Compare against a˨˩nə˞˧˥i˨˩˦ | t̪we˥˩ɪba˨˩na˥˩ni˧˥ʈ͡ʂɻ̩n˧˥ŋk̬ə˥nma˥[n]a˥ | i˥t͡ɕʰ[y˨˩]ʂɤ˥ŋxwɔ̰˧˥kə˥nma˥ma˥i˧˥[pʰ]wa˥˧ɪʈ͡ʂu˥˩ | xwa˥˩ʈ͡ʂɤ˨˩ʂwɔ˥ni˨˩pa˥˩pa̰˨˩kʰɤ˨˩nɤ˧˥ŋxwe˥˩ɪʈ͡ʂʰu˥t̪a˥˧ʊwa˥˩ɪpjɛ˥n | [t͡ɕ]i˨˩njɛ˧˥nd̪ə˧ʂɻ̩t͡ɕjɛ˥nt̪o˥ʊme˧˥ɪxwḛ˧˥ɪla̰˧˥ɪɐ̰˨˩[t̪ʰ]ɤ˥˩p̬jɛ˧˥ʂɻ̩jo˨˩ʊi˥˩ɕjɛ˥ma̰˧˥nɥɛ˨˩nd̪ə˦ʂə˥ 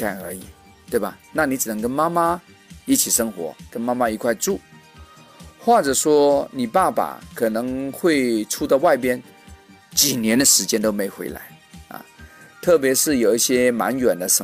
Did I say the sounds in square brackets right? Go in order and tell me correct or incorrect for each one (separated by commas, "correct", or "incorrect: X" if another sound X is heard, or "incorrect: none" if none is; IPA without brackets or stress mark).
incorrect: m, incorrect: i˨˩, incorrect: kʰ, correct, correct